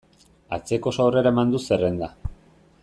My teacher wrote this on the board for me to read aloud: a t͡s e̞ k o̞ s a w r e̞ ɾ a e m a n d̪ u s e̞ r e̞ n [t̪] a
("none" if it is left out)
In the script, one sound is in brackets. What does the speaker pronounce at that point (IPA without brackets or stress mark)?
d̪